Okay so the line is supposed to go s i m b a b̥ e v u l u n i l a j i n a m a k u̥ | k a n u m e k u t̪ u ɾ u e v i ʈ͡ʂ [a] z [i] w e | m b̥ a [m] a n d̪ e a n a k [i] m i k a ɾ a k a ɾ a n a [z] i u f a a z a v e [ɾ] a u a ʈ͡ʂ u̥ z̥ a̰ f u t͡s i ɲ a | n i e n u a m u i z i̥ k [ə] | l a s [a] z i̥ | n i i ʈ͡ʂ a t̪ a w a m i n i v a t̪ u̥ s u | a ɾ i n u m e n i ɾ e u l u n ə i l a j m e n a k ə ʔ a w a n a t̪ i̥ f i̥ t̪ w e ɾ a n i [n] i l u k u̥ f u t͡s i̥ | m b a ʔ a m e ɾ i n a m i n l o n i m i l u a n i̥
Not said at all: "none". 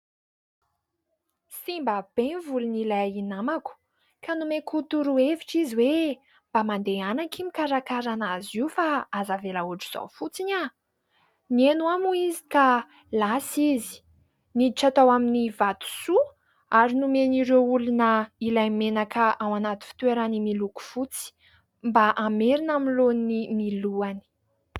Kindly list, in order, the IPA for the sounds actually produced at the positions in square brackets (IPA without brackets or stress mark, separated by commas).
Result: i, i, m, i, z, l, a, i, m